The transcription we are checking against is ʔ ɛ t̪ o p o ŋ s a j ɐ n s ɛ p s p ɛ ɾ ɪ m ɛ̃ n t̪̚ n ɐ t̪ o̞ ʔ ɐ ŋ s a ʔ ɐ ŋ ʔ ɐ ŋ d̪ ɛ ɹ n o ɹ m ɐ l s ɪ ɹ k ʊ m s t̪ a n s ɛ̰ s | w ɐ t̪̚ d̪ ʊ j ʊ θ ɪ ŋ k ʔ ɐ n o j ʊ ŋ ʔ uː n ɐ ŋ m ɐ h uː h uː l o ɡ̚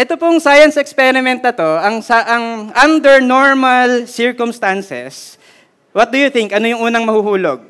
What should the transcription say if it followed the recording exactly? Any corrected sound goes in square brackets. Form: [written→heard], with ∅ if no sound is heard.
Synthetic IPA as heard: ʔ ɛ t̪ o p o ŋ s a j ɐ n s ɛ [p→k] s p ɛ ɾ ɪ m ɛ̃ n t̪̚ n ɐ t̪ o̞ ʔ ɐ ŋ s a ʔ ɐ ŋ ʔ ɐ [ŋ→n] d̪ ɛ ɹ n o ɹ m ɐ l s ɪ ɹ k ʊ m s t̪ a n s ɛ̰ s | w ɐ t̪̚ d̪ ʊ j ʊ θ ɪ ŋ k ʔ ɐ n o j ʊ ŋ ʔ uː n ɐ ŋ m ɐ h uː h uː l o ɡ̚